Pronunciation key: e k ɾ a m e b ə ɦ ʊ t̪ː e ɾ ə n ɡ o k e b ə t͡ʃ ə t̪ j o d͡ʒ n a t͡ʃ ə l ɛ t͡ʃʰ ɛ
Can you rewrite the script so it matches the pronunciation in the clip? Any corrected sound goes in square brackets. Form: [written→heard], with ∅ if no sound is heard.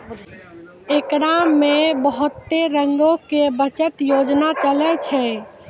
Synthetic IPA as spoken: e k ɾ a m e b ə ɦ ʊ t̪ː e ɾ ə [n→ŋ] ɡ o k e b ə t͡ʃ ə t̪ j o d͡ʒ n a t͡ʃ ə l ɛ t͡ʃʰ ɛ